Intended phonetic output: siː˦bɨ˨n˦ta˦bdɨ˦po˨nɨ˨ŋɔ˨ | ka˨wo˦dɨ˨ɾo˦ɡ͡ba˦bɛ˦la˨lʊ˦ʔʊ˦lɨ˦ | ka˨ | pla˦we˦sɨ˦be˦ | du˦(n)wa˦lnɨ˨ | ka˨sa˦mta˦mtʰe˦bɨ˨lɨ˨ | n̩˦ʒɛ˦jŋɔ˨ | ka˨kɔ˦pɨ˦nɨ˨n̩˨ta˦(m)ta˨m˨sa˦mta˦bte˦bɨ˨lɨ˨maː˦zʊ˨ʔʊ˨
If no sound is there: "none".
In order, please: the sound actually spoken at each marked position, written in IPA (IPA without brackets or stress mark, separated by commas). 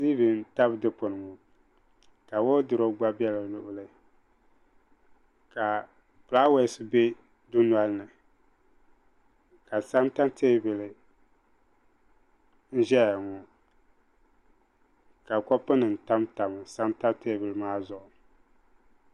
n, m